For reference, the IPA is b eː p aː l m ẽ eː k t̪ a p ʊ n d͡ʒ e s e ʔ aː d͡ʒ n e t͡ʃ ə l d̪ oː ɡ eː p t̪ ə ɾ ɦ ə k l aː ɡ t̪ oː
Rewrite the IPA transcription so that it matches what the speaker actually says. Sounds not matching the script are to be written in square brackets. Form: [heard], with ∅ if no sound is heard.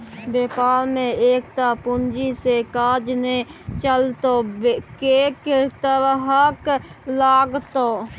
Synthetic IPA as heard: b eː p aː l m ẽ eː k t̪ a p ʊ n d͡ʒ [i] s e [k] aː d͡ʒ n e t͡ʃ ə l [t̪] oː [k] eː [k] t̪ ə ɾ ɦ ə k l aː ɡ t̪ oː